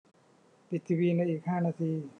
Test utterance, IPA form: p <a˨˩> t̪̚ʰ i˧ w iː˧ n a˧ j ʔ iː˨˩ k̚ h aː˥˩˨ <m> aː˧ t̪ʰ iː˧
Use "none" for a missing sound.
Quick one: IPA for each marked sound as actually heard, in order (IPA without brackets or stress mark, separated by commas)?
i˨˩, n